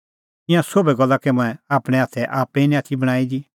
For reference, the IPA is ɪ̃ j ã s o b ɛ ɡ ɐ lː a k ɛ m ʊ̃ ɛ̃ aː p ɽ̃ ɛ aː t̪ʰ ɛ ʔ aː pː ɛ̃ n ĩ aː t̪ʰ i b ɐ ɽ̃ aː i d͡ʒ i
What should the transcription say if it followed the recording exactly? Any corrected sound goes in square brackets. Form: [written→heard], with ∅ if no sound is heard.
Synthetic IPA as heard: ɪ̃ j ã s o b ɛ ɡ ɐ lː a k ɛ m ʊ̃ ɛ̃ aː p ɽ̃ ɛ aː t̪ʰ ɛ ʔ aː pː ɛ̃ n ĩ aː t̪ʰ i b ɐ ɽ̃ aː i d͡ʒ i